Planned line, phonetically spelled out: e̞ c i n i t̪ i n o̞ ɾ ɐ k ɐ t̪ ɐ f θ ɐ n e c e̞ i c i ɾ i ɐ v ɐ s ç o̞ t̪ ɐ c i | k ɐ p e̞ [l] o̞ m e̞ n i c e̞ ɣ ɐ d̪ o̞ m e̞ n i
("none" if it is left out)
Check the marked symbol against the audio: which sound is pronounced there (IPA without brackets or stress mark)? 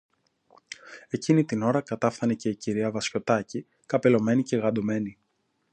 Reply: l